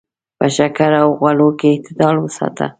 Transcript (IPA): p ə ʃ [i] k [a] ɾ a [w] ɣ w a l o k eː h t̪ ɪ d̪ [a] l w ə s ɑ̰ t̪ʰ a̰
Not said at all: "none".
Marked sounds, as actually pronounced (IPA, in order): a, a, w, ɑ

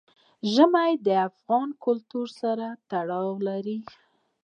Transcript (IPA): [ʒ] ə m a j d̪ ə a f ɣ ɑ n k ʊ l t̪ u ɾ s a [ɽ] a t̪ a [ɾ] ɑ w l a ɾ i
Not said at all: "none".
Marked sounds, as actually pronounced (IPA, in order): ʒ, ɾ, ɽ

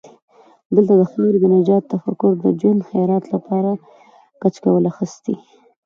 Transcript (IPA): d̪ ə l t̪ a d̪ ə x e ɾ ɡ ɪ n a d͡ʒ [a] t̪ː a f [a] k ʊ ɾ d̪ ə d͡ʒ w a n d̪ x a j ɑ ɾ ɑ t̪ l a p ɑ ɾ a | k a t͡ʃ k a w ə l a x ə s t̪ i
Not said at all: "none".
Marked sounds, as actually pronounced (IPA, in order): ɑ, a

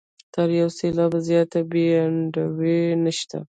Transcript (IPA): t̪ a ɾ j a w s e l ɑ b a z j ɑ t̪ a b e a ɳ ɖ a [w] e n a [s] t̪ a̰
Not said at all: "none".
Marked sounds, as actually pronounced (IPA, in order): w, ʃ

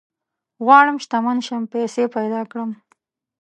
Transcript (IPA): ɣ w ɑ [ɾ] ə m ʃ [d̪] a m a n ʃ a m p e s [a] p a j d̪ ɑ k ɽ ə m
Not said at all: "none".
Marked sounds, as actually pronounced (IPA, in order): ɽ, t̪, e

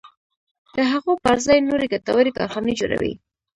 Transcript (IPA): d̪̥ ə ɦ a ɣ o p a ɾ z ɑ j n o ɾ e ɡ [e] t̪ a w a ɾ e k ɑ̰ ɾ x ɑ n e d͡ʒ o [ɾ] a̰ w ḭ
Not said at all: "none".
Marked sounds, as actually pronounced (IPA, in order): a, ɾ

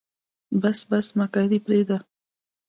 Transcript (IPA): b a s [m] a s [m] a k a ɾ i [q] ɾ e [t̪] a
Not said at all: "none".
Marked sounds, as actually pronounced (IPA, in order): b, m, p, d̪

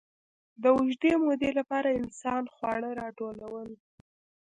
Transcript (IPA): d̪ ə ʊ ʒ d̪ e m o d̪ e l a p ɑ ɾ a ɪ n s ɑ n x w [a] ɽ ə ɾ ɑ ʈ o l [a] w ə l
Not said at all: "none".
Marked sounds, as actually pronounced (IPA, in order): ɑ, a

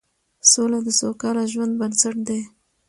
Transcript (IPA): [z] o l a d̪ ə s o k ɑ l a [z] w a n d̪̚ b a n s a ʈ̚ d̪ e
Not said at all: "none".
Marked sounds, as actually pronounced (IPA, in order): s, ʒ

